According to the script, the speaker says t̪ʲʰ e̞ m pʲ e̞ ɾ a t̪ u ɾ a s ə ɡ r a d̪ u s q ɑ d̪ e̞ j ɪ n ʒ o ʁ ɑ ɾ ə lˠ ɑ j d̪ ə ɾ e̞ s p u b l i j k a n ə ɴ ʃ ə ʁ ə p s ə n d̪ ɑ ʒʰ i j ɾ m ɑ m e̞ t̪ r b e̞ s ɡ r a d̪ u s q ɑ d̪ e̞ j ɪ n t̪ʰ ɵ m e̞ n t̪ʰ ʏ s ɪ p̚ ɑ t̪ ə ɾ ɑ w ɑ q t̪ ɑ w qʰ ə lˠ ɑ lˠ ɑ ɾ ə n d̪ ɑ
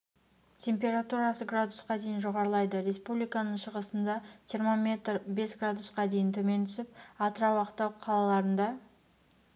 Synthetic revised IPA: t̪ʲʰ e̞ m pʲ e̞ ɾ a t̪ u ɾ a s ə ɡ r a d̪ u s q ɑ d̪ e̞ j ɪ n ʒ o ʁ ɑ ɾ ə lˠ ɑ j d̪ ə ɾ e̞ s p u b l i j k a n ə ɴ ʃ ə ʁ ə s ə n d̪ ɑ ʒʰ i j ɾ m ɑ m e̞ t̪ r b e̞ s ɡ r a d̪ u s q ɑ d̪ e̞ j ɪ n t̪ʰ ɵ m e̞ n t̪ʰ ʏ s ɪ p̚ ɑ t̪ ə ɾ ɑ w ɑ q t̪ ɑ w qʰ ɑ lˠ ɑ lˠ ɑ ɾ ə n d̪ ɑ